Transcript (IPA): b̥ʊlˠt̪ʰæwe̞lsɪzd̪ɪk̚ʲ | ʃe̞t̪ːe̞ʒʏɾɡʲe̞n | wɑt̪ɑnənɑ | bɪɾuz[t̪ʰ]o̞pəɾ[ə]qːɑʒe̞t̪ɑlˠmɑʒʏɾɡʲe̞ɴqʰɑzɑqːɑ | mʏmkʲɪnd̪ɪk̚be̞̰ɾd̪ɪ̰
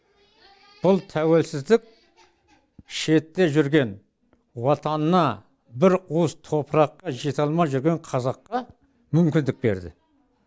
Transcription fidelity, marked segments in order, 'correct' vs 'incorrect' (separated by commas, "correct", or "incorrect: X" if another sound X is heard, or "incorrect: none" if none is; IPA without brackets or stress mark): correct, incorrect: ɑ